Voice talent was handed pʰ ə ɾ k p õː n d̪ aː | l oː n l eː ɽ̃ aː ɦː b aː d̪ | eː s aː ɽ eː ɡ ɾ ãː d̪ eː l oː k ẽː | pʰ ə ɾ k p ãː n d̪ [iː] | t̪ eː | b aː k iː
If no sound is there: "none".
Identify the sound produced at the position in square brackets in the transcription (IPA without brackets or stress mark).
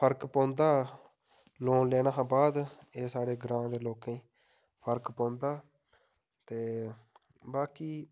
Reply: aː